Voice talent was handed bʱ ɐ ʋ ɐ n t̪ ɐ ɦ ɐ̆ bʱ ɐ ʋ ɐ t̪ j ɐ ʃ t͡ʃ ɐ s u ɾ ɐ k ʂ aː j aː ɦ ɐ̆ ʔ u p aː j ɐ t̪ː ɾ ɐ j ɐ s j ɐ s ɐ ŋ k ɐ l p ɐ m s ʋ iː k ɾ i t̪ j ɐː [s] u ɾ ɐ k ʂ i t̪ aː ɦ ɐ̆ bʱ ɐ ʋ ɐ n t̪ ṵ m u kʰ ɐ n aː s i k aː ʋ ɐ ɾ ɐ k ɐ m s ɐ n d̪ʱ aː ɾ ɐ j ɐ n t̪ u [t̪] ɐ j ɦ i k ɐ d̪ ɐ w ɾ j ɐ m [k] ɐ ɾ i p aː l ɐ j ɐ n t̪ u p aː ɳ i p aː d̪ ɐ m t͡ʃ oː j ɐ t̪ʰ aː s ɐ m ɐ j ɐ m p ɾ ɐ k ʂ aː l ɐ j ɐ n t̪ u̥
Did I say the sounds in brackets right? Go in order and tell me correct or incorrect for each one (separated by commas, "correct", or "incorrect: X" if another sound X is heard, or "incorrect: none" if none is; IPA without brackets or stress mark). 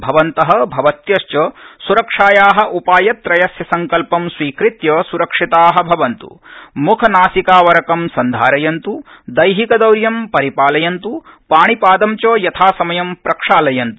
correct, incorrect: d̪, incorrect: p